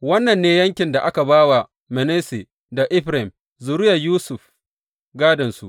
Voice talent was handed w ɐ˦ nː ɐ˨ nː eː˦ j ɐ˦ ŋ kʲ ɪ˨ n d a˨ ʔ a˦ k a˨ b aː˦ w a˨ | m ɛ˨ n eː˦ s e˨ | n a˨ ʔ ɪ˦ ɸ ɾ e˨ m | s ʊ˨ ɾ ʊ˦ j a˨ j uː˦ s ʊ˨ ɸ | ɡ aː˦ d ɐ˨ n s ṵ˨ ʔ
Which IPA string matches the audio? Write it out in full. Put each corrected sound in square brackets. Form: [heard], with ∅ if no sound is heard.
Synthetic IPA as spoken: w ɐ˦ nː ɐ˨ nː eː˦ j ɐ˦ ŋ kʲ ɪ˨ n d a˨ ʔ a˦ k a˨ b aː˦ w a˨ | m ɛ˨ n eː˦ s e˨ | [d] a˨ ʔ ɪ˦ ɸ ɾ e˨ m | [z] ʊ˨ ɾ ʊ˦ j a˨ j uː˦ s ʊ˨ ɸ | ɡ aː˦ d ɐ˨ n s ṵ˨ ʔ

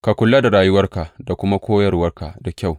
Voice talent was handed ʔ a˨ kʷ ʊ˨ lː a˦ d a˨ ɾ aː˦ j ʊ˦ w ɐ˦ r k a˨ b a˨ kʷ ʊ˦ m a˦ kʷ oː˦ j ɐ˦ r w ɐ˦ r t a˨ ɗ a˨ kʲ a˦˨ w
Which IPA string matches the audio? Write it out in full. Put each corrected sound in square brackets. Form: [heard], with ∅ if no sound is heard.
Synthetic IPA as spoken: [k] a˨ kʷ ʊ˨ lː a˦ d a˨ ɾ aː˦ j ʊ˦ w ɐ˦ r k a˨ [d] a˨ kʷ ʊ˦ m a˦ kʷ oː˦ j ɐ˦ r w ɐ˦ r [k] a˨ [d] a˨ kʲ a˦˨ w

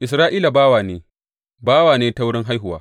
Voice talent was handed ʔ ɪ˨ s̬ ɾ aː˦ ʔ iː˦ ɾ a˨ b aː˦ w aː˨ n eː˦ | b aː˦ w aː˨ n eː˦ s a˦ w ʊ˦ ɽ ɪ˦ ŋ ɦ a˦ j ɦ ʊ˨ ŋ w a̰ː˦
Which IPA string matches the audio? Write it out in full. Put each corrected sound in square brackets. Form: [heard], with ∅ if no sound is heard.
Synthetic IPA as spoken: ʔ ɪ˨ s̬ ɾ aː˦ ʔ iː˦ [l] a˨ b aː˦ w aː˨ n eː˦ | b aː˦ w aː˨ n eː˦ [t] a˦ w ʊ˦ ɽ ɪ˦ ŋ ɦ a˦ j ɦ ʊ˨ [∅] w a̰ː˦

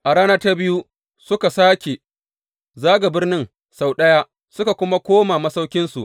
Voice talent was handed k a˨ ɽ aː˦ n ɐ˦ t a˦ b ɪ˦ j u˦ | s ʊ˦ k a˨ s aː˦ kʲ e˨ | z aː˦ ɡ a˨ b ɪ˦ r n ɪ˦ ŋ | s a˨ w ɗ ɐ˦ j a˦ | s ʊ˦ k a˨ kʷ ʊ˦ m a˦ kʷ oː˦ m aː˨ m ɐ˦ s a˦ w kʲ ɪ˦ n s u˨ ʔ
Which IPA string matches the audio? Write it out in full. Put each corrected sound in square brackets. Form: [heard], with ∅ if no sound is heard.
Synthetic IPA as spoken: [ʔ] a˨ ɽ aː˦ n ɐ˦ t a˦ b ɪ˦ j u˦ | s ʊ˦ k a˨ s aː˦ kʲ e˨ | z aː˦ ɡ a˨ b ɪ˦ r n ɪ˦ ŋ | s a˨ w ɗ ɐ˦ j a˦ | s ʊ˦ k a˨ kʷ ʊ˦ m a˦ kʷ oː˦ m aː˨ m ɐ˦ s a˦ w kʲ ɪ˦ n s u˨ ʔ

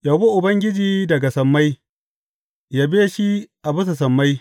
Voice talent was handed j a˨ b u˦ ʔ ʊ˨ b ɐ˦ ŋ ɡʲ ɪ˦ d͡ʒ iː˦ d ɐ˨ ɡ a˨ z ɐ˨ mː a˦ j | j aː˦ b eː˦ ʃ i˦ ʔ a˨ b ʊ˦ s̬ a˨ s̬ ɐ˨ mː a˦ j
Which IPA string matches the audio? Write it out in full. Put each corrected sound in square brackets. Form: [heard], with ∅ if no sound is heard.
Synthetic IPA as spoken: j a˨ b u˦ ʔ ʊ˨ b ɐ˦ ŋ ɡʲ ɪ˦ d͡ʒ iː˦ d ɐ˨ ɡ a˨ [s] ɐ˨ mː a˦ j | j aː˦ b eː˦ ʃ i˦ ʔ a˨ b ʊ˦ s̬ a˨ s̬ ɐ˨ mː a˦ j

